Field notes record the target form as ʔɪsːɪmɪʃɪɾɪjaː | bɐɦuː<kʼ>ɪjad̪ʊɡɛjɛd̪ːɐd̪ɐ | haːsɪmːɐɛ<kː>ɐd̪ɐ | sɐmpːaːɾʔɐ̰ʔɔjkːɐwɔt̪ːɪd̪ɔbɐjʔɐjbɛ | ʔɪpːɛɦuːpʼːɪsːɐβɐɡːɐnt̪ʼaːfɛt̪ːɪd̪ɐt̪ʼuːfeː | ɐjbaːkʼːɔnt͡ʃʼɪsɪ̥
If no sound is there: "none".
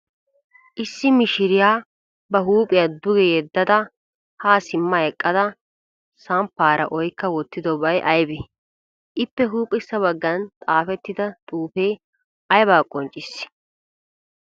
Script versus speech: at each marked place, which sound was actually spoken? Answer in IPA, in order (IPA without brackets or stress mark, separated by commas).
pʼ, kʼː